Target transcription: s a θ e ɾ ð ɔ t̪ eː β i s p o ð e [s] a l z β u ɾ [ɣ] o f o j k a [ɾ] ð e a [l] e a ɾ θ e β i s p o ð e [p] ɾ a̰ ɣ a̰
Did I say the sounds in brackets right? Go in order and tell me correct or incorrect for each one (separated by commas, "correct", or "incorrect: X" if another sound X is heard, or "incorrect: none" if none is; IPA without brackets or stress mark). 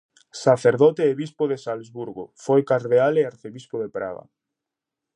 correct, correct, correct, correct, correct